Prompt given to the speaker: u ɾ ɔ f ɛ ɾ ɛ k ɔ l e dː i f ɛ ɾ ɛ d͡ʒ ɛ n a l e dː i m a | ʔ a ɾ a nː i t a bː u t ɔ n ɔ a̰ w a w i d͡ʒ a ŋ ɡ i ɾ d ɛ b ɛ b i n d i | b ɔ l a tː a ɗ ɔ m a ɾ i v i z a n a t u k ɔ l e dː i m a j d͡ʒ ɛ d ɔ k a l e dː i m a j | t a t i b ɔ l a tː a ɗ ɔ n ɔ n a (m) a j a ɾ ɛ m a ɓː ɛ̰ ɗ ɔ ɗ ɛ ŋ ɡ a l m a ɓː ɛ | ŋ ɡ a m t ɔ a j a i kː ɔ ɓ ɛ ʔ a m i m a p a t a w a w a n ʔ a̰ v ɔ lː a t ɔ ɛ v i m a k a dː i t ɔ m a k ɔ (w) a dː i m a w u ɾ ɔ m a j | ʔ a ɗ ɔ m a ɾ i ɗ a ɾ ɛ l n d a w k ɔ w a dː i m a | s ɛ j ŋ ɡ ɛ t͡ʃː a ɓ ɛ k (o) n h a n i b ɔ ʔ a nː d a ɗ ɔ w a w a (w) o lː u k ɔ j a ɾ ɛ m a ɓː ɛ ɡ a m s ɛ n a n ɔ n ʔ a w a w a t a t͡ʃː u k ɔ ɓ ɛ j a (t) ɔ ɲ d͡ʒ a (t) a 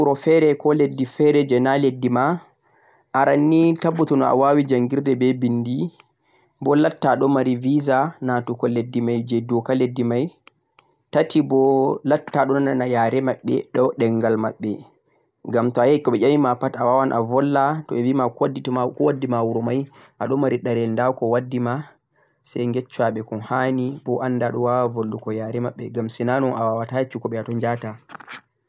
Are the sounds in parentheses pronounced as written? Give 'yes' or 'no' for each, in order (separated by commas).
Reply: no, yes, no, no, yes, yes